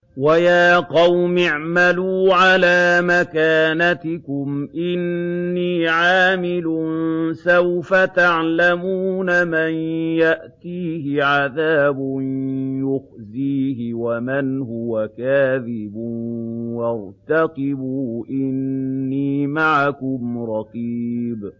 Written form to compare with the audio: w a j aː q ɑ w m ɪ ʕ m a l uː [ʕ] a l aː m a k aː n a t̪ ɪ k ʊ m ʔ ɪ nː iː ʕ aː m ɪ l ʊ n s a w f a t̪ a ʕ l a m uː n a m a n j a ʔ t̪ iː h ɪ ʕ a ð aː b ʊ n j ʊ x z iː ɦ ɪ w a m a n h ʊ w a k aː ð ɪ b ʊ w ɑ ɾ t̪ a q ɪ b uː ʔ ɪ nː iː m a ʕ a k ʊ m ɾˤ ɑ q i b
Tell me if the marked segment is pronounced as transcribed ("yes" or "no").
yes